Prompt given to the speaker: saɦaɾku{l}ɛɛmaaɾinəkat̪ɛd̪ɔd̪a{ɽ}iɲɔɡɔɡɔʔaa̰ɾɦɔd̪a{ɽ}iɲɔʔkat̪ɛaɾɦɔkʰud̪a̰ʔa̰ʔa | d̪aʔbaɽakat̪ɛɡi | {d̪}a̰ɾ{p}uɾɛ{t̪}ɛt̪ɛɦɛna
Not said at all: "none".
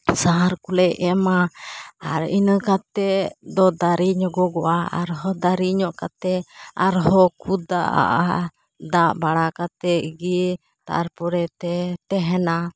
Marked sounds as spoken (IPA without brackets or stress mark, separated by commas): l, ɾ, ɾ, t̪, p, t̪